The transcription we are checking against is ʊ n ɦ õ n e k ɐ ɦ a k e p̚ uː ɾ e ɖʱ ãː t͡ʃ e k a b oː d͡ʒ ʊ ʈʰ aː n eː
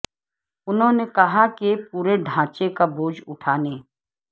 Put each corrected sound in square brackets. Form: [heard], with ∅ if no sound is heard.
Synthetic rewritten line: ʊ n ɦ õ n e k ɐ ɦ a k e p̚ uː ɾ e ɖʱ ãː t͡ʃ e k a b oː d͡ʒ ʊ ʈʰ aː n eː